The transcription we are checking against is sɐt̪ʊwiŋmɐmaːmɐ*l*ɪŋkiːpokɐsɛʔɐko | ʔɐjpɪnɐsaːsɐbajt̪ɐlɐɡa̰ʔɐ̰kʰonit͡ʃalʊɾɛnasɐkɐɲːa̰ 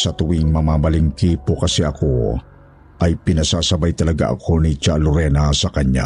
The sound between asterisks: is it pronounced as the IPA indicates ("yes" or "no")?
yes